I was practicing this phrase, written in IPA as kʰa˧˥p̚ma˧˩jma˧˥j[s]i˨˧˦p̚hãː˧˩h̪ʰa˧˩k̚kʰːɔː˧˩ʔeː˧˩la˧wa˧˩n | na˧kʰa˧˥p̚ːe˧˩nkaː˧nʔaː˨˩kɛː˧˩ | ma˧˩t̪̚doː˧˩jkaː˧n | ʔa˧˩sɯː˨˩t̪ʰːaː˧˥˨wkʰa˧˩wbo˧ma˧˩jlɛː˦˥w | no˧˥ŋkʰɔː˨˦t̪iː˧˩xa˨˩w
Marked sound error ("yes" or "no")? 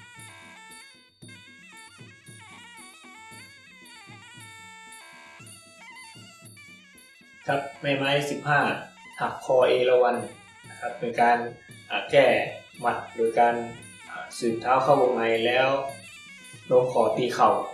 no